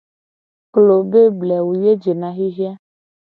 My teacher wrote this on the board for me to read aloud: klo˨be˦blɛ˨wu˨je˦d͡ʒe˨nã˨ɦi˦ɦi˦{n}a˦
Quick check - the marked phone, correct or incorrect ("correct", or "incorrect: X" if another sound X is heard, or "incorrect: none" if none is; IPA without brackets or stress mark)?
incorrect: none